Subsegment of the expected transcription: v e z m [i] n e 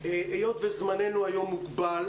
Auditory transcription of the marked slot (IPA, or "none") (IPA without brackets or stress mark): a